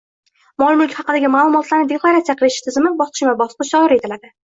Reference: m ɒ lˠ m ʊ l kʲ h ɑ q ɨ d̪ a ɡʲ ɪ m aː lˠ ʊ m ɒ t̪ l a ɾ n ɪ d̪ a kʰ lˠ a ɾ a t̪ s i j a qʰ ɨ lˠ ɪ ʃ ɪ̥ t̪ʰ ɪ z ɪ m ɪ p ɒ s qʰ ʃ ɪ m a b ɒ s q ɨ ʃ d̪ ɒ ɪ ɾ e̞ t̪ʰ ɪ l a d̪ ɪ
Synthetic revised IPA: m ɒ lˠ m ʊ l kʲ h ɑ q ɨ d̪ a ɡʲ ɪ m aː lˠ ʊ m ɒ t̪ l a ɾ n ɪ d̪ e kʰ lˠ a ɾ a t̪ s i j a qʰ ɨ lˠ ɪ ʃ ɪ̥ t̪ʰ ɪ z ɪ m ɪ b ɒ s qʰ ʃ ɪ m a b ɒ s q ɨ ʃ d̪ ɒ ɪ ɾ e̞ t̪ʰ ɪ l a d̪ ɪ